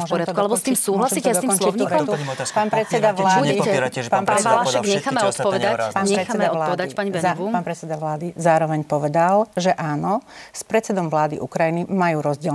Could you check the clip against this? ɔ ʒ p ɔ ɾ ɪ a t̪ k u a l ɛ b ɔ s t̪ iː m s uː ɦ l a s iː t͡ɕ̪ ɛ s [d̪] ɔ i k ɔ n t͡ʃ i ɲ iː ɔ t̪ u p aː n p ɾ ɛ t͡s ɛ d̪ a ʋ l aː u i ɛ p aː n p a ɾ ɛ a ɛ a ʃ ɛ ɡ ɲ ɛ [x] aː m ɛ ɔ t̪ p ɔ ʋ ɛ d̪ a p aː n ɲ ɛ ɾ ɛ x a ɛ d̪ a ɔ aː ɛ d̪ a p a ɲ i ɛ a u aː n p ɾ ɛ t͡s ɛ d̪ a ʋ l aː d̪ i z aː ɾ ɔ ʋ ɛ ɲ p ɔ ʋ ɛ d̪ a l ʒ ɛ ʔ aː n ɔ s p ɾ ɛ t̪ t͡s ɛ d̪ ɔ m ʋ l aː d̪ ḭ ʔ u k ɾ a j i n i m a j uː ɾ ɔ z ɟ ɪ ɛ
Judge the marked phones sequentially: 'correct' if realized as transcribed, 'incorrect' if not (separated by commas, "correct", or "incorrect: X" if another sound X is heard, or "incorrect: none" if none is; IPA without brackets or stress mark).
correct, correct